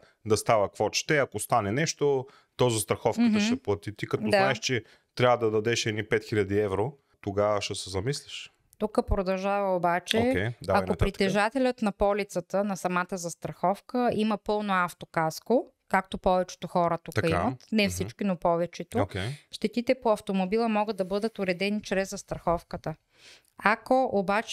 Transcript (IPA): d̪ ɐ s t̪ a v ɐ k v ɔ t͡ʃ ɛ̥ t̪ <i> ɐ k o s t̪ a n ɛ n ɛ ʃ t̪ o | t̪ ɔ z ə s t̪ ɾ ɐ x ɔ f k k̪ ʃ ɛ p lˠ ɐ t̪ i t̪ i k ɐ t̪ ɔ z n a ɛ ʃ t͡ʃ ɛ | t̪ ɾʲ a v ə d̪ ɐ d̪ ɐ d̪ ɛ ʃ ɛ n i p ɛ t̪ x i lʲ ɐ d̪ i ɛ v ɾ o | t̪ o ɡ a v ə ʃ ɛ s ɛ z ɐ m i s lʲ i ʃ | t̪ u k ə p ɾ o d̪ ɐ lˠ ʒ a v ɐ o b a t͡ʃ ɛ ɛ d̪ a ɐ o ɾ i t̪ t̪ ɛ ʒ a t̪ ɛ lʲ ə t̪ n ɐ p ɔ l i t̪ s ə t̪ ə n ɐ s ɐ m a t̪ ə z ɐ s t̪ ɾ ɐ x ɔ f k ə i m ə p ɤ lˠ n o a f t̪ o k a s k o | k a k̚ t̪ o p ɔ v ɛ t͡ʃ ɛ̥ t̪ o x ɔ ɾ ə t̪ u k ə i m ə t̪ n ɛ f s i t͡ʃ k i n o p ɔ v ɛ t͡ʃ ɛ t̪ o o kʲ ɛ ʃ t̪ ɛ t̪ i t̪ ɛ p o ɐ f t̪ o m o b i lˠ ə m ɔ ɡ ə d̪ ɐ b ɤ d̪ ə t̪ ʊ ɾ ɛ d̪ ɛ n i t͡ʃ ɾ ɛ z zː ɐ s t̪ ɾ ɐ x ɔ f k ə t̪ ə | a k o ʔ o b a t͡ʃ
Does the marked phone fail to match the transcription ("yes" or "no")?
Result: yes